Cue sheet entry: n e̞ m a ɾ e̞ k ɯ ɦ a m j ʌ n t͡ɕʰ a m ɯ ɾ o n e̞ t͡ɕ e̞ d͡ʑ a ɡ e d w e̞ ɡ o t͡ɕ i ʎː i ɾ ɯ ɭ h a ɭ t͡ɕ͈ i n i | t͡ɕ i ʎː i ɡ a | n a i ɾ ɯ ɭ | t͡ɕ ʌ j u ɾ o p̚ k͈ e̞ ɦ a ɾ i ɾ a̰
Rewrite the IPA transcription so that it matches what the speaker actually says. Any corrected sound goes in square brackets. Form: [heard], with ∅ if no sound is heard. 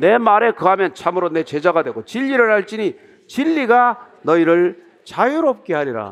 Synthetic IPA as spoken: n e̞ m a ɾ e̞ k ɯ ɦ a m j ʌ n t͡ɕʰ a m ɯ ɾ o n e̞ t͡ɕ e̞ d͡ʑ a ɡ [a] d w e̞ ɡ o t͡ɕ i ʎː i ɾ ɯ ɭ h a ɭ t͡ɕ͈ i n i | t͡ɕ i ʎː i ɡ a | n [ʌ] i ɾ ɯ ɭ | t͡ɕ [a] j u ɾ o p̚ k͈ e̞ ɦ a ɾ i ɾ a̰